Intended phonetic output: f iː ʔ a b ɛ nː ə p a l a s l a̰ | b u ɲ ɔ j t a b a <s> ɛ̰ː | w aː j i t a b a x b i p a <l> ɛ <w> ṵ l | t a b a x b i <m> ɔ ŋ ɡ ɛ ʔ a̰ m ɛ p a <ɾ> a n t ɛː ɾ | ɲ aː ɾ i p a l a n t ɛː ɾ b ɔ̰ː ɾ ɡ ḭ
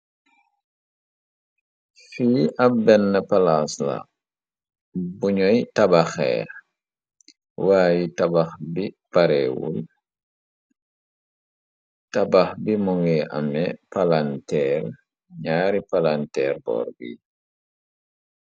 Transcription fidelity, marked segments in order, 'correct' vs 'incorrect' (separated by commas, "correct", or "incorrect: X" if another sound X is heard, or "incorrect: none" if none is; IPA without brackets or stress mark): incorrect: x, incorrect: ɾ, correct, correct, incorrect: l